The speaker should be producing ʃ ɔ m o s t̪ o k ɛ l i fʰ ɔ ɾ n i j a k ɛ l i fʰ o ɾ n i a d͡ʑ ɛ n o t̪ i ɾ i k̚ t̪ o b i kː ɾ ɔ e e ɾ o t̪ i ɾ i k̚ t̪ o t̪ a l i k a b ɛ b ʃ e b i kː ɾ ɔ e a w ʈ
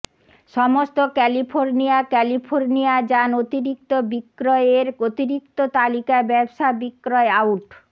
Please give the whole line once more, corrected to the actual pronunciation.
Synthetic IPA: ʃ ɔ m o s t̪ o k ɛ l i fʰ o ɾ n i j a k ɛ l i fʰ o ɾ n i a d͡ʑ a n o t̪ i ɾ i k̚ t̪ o b i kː ɾ ɔ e e ɾ o t̪ i ɾ i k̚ t̪ o t̪ a l i k a b ɛ b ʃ a b i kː ɾ ɔ e a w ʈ